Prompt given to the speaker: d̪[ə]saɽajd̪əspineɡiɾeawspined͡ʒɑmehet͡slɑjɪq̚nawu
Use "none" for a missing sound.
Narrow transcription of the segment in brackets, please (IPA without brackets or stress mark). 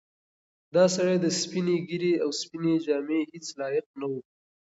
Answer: ɑ